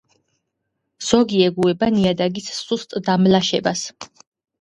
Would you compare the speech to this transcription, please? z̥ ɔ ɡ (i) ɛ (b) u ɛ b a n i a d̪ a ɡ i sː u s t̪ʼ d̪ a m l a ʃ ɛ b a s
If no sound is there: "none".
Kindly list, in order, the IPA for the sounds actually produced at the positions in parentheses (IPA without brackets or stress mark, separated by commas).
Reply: i, ɡ